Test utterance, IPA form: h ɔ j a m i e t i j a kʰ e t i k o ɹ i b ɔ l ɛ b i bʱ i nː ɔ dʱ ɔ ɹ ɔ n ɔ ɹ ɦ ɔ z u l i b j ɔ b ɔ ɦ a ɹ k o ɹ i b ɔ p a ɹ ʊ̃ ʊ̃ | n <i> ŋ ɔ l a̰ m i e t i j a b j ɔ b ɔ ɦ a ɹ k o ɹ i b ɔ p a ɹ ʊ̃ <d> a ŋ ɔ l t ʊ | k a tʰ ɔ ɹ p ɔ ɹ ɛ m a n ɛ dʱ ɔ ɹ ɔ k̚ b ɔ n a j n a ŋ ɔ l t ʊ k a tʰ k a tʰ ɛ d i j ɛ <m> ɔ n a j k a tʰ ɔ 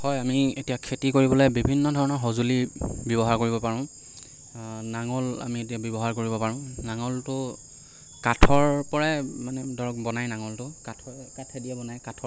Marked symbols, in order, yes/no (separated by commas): no, no, no